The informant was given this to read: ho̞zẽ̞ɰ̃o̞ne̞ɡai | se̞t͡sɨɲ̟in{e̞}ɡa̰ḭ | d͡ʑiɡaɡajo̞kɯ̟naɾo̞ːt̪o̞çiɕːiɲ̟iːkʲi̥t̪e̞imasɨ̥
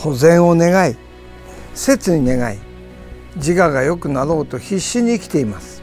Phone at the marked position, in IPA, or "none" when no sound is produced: e̞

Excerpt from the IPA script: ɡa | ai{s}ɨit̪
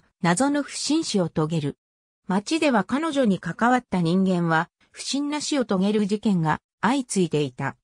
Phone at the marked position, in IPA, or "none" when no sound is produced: t͡s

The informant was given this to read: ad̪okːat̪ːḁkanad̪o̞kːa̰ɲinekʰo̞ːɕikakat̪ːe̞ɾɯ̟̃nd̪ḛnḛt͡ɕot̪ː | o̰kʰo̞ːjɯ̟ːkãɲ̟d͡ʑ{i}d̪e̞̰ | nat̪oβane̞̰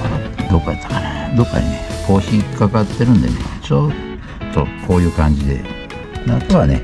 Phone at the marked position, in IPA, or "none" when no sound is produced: i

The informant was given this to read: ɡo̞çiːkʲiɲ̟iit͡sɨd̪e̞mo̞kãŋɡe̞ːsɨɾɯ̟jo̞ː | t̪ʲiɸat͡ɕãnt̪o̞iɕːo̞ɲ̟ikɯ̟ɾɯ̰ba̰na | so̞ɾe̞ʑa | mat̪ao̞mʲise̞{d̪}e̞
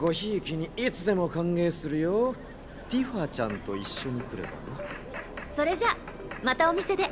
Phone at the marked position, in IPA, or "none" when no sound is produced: d̪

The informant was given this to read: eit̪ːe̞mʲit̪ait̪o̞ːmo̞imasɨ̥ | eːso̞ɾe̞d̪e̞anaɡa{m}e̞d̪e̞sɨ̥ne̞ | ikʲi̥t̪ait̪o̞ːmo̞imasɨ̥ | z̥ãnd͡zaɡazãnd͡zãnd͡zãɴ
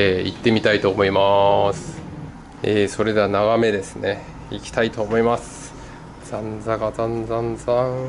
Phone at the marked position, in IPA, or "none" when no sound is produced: m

